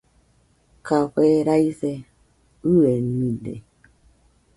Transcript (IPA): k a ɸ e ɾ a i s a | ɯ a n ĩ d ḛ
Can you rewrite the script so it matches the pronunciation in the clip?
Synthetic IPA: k a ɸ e ɾ a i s e | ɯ e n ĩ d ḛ